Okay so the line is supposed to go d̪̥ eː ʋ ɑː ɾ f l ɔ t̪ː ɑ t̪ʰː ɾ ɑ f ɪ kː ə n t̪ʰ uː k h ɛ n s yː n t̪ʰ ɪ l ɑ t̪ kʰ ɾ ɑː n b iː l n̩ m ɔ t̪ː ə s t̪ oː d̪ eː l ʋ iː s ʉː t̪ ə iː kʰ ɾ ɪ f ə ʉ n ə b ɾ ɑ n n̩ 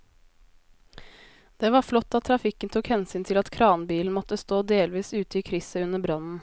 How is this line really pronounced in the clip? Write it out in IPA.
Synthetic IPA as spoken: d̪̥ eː ʋ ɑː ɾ f l ɔ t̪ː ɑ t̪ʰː ɾ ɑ f ɪ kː ə n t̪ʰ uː k h ɛ n s yː n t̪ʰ ɪ l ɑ t̪ kʰ ɾ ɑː n b iː l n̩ m ɔ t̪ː ə s t̪ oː d̪ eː l ʋ iː s ʉː t̪ ə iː kʰ ɾ ɪ s ə ʉ n ə b ɾ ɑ n n̩